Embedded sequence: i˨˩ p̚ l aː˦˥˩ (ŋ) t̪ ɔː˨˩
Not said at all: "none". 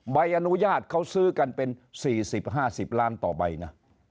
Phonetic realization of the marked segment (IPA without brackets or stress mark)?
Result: n